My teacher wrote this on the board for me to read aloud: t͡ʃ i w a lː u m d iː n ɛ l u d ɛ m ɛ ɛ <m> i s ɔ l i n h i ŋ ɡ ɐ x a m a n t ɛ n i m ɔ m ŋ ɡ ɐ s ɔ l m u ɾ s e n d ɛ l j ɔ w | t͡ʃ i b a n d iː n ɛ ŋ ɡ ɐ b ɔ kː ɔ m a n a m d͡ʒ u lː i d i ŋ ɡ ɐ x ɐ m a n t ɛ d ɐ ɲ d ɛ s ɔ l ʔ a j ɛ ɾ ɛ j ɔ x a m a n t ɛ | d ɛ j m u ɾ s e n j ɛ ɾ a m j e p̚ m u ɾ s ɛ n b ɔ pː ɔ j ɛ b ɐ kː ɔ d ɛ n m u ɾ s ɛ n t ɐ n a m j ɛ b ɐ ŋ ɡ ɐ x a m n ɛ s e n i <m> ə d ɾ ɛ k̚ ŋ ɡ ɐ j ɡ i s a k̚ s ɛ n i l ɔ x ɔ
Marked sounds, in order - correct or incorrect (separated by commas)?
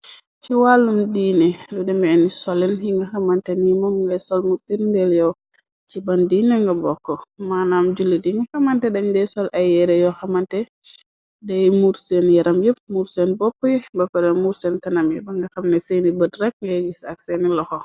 incorrect, incorrect